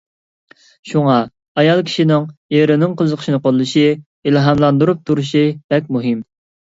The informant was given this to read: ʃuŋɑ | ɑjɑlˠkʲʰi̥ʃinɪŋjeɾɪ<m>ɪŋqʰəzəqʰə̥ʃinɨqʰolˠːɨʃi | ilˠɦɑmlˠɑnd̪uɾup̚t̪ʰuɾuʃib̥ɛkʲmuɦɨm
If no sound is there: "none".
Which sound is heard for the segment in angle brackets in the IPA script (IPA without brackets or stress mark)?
n